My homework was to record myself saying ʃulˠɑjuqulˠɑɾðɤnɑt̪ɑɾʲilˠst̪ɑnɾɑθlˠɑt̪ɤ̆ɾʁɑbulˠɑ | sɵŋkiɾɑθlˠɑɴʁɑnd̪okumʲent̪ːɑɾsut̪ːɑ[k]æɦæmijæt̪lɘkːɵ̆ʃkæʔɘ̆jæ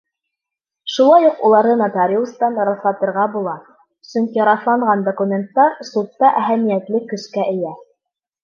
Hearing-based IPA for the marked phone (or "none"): ʔ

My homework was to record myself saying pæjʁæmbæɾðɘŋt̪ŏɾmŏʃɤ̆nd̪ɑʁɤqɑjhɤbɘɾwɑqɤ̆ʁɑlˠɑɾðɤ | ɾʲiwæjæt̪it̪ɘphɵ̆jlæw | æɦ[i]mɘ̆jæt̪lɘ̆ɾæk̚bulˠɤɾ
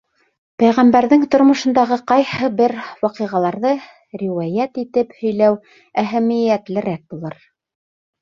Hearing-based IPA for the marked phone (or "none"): æ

